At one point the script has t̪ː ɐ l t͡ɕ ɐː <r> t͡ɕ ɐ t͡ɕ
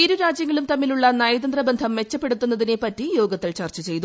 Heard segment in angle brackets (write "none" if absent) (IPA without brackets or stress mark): r